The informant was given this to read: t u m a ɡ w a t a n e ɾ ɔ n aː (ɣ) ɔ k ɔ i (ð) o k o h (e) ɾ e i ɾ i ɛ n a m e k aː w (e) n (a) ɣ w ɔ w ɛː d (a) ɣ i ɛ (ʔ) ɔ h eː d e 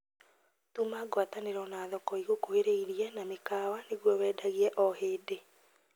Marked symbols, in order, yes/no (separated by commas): no, no, yes, no, no, yes, yes